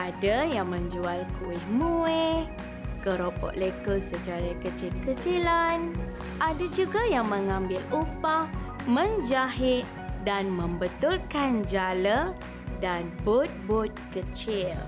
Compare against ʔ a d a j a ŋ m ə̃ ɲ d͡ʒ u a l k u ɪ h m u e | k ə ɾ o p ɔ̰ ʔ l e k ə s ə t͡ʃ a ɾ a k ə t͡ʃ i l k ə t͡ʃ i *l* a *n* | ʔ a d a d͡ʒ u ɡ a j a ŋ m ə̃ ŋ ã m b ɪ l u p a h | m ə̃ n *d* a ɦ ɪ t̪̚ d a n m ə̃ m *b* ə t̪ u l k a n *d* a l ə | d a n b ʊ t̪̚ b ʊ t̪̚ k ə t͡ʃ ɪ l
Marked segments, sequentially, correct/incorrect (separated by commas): correct, correct, incorrect, correct, incorrect